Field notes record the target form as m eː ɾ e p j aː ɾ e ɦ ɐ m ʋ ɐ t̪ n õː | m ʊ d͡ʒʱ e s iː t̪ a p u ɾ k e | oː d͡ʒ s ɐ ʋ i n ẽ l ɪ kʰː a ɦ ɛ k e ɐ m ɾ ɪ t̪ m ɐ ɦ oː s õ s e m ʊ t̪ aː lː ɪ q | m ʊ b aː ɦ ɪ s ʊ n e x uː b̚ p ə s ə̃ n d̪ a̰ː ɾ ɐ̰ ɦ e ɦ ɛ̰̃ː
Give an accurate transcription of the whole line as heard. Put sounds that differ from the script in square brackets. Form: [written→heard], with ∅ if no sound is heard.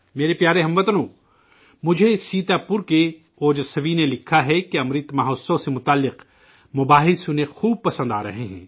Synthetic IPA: m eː ɾ e p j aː ɾ e ɦ ɐ m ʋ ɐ t̪ n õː | m ʊ d͡ʒʱ e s iː t̪ a p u ɾ k e | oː d͡ʒ s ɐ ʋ i n [ẽ→e] l ɪ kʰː a ɦ ɛ k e ɐ m ɾ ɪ t̪ m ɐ ɦ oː s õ s e m ʊ t̪ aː lː ɪ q | m ʊ b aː ɦ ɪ s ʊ n e x uː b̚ p [ə→ɐ] s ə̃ n d̪ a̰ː ɾ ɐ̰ ɦ e ɦ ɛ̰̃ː